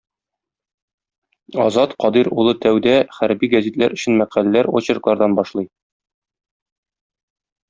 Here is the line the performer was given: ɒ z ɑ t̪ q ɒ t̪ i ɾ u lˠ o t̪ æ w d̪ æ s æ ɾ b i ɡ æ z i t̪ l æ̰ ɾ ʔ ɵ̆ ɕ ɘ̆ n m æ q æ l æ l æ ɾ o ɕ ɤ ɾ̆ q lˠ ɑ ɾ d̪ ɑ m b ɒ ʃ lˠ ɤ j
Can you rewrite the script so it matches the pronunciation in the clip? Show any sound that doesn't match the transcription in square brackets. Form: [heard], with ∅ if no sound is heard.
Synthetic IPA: ɒ z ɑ t̪ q ɒ [d̪] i ɾ u lˠ [ɤ] t̪ æ w d̪ æ [χ] æ ɾ b i ɡ æ z i t̪ l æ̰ ɾ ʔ ɵ̆ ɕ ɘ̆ n m æ q æ l æ l æ ɾ o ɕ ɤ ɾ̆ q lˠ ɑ ɾ d̪ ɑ [n] b ɒ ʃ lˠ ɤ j